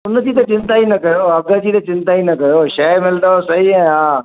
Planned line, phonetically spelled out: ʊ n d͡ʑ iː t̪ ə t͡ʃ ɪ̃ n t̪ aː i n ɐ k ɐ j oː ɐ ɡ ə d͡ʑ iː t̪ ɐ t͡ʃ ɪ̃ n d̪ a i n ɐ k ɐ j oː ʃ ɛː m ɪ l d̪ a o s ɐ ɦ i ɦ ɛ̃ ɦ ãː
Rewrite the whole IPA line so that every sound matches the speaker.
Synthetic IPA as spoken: ʊ n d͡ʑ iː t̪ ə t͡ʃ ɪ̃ n t̪ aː i n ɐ k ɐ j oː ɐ ɡ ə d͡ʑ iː t̪ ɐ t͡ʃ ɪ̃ n t̪ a i n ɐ k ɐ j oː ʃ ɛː m ɪ l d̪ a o s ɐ ɦ i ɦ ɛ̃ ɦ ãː